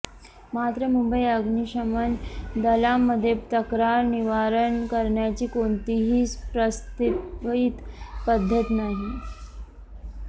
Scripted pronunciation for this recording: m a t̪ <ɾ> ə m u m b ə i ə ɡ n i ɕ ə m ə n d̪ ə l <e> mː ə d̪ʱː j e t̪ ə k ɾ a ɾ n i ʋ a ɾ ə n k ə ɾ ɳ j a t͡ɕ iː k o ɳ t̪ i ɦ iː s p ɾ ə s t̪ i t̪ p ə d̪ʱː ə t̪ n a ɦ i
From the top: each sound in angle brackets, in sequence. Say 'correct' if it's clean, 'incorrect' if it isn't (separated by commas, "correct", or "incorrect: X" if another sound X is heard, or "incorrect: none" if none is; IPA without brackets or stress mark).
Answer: correct, incorrect: a